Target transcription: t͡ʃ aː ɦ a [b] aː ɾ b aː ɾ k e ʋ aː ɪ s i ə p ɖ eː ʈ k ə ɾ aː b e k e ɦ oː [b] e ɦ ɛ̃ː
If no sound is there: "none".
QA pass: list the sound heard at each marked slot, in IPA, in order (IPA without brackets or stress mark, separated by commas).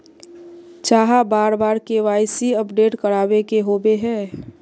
b, b